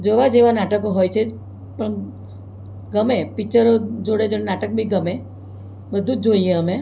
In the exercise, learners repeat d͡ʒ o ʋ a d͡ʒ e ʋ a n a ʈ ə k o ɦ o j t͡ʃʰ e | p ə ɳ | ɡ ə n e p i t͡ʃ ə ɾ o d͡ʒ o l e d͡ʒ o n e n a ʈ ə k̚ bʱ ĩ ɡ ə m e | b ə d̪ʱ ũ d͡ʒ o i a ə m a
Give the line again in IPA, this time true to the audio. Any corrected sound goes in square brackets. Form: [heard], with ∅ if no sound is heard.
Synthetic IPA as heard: d͡ʒ o ʋ a d͡ʒ e ʋ a n a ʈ ə k o ɦ o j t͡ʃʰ e | p ə ɳ | ɡ ə [m] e p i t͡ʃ ə ɾ o d͡ʒ o [ɽ] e d͡ʒ o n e n a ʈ ə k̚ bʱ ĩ ɡ ə m e | b ə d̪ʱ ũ d͡ʒ o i [e] ə m [e]

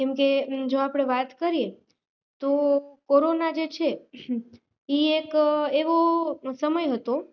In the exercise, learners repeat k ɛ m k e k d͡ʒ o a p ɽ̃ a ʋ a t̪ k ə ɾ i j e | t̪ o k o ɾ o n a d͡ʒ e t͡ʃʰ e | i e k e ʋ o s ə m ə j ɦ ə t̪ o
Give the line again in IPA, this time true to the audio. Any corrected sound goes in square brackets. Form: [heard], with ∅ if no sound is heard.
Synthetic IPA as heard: k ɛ m k e [∅] d͡ʒ o a p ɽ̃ [e] ʋ a t̪ k ə ɾ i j e | t̪ o k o ɾ o n a d͡ʒ e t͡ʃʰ e | i e k e ʋ o s ə m ə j ɦ ə t̪ o

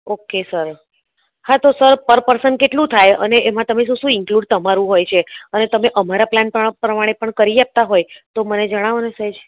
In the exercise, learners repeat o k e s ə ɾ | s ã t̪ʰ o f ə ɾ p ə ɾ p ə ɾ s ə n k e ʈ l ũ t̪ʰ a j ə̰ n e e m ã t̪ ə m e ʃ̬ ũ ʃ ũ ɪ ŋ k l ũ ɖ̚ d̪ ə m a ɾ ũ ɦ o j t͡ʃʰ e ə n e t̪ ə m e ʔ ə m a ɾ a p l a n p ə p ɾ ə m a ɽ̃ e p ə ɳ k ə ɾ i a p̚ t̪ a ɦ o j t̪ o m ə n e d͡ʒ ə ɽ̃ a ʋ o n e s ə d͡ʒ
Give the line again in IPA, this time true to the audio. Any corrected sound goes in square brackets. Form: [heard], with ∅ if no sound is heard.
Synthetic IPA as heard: o k e s ə ɾ | [h] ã [t̪] o [s] ə ɾ p ə ɾ p ə ɾ s ə n k e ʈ l ũ t̪ʰ a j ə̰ n e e m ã t̪ ə m e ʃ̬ ũ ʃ ũ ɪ ŋ k l [u] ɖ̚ [t̪] ə m a ɾ ũ ɦ o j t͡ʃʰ e ə n e t̪ ə m e ʔ ə m a ɾ a p l a n p ə p ɾ ə m a ɽ̃ e p ə ɳ k ə ɾ i a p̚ t̪ a ɦ o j t̪ o m ə n e d͡ʒ ə ɽ̃ a ʋ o n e s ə d͡ʒ

